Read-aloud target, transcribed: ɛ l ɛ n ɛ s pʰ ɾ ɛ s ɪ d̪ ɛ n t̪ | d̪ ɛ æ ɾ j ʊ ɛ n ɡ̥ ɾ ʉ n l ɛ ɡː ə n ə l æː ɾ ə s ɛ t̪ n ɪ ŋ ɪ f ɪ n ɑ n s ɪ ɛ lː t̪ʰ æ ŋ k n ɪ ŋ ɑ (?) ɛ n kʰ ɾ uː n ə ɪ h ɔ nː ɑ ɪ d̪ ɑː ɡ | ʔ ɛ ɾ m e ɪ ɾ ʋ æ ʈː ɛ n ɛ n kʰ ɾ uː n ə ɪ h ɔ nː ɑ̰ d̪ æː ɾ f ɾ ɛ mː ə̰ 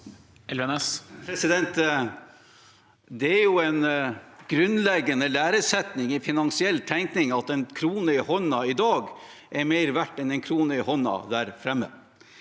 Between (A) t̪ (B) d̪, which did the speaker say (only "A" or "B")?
A